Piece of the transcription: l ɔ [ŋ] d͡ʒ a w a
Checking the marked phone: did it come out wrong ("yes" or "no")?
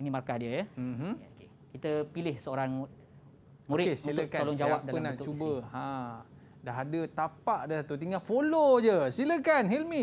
no